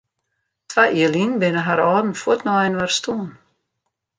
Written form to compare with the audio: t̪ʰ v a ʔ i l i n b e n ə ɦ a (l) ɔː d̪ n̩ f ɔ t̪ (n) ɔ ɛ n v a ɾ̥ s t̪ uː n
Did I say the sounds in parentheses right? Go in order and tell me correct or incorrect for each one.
incorrect: ɾ, correct

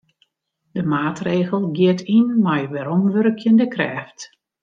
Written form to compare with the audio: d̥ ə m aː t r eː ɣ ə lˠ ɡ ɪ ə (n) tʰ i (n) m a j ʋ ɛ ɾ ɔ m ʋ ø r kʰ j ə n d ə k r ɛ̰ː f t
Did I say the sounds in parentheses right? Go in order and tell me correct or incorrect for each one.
incorrect: none, correct

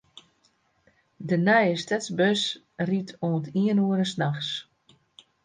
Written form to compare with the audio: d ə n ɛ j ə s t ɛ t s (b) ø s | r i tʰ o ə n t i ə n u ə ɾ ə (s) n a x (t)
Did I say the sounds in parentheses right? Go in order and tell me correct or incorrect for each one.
correct, correct, incorrect: s

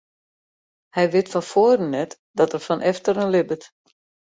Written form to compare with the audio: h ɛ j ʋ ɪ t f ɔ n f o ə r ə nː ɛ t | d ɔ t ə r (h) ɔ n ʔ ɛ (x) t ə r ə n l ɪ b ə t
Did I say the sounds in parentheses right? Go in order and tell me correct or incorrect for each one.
incorrect: f, incorrect: f

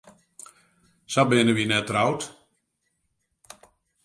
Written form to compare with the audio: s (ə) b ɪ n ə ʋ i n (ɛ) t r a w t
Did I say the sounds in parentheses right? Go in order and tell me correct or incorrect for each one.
incorrect: a, correct

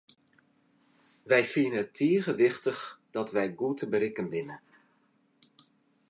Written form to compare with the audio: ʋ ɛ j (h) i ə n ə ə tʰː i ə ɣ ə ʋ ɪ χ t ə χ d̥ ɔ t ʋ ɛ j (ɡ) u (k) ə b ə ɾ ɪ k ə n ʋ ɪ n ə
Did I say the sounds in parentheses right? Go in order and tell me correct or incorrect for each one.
incorrect: f, correct, incorrect: t

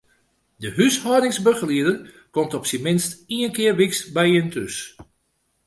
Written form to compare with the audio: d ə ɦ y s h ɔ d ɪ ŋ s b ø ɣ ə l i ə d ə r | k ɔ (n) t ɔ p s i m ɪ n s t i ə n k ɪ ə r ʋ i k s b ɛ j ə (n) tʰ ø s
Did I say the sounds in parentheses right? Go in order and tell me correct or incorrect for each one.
incorrect: m, correct

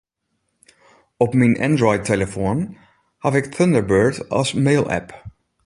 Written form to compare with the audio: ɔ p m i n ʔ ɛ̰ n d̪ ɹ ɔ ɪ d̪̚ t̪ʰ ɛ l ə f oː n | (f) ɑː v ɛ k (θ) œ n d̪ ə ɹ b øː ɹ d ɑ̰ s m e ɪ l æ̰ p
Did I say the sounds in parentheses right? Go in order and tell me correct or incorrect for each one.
incorrect: h, correct

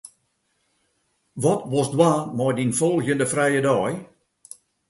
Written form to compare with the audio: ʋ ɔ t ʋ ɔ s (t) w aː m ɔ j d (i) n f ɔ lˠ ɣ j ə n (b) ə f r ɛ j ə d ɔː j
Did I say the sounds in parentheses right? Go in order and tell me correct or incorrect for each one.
incorrect: d, correct, incorrect: d

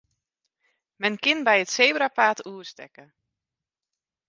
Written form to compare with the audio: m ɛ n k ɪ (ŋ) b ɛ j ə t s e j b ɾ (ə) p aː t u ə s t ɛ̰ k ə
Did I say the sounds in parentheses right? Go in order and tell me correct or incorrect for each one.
incorrect: n, incorrect: a

